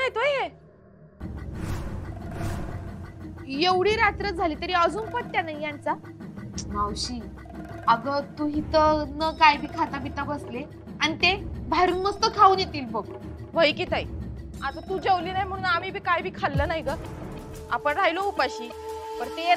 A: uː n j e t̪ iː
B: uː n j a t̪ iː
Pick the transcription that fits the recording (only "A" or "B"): A